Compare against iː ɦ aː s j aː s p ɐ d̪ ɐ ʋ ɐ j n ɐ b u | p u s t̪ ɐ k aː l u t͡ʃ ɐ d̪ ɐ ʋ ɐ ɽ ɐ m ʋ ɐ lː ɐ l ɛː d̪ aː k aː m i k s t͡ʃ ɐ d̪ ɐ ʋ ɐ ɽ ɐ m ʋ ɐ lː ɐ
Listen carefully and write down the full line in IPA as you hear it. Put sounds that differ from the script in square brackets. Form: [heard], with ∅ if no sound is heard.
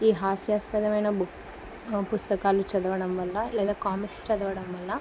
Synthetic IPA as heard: iː ɦ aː s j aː s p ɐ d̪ ɐ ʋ ɐ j n ɐ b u | p u s t̪ ɐ k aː l u t͡ʃ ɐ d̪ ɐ ʋ ɐ ɽ ɐ m ʋ ɐ lː ɐ l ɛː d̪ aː k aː m i k s t͡ʃ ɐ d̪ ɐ ʋ ɐ ɽ ɐ m ʋ ɐ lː ɐ